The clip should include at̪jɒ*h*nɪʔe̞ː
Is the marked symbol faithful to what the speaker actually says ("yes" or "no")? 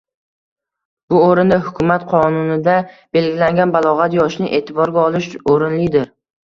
no